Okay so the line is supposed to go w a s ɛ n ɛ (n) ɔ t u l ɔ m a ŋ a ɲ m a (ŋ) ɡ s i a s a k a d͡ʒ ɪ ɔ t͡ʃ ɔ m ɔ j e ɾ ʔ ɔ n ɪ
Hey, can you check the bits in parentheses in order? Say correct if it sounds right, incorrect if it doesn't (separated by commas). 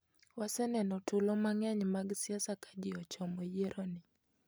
correct, incorrect